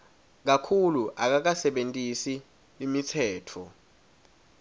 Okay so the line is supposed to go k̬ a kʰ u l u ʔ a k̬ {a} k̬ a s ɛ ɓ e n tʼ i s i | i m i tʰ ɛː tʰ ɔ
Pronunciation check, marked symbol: correct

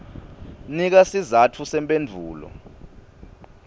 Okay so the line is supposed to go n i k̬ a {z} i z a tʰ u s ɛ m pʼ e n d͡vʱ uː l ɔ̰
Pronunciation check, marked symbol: incorrect: s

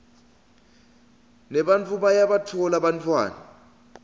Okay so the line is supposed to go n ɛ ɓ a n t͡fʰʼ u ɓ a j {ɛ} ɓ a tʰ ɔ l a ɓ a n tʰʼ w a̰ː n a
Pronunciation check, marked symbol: incorrect: a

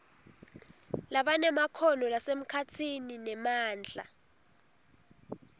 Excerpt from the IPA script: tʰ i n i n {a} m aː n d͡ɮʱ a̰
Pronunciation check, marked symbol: incorrect: ɛ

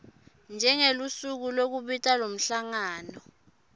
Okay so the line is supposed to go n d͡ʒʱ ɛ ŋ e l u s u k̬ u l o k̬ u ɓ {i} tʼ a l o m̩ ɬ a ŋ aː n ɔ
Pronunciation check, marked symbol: correct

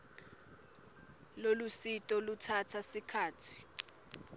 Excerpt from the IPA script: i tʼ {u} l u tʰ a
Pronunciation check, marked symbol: incorrect: ɔ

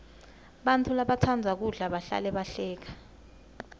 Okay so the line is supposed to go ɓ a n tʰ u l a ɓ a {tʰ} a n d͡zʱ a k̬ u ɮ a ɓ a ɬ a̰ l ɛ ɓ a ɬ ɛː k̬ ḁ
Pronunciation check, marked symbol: correct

